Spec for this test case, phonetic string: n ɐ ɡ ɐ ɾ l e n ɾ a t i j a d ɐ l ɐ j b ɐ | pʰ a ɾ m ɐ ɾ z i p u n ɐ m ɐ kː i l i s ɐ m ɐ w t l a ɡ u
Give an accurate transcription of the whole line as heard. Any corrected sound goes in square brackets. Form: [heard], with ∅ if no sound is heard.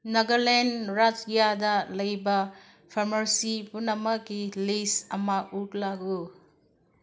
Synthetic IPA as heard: n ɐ ɡ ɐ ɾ l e n ɾ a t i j a d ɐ l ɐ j b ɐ | pʰ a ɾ m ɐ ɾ [s] i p u n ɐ m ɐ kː i l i s ɐ m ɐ [u] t l a ɡ u